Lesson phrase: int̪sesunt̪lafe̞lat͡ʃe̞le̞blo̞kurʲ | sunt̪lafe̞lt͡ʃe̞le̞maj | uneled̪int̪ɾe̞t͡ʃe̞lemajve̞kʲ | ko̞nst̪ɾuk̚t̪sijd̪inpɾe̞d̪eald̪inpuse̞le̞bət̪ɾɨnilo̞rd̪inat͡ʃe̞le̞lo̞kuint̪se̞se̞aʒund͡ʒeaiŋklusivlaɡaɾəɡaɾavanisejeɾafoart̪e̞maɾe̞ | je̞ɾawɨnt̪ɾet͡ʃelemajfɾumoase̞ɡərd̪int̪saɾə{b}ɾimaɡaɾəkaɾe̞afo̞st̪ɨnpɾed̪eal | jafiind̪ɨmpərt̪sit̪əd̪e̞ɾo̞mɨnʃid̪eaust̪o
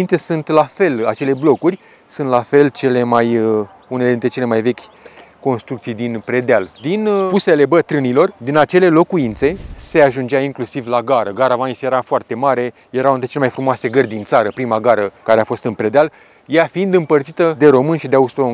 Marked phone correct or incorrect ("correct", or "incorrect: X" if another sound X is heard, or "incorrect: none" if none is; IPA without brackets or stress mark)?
incorrect: p